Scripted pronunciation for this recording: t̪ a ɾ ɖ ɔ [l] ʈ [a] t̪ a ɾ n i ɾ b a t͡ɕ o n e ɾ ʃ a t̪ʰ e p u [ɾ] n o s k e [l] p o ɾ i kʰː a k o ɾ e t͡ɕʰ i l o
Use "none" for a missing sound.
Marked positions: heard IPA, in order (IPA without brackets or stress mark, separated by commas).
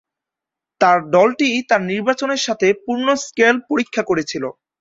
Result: l, i, ɾ, l